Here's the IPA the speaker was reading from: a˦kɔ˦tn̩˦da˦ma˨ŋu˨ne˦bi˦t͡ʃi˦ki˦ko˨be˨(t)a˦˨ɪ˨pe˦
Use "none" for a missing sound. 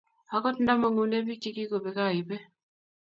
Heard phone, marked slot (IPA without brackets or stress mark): k